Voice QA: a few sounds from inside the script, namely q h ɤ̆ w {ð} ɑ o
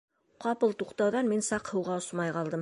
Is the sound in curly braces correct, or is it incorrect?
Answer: incorrect